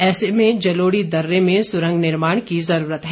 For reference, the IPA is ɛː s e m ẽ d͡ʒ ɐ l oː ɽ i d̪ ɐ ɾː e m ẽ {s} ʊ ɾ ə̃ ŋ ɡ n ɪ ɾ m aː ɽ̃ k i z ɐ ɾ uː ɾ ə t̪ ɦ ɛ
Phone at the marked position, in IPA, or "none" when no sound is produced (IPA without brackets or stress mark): s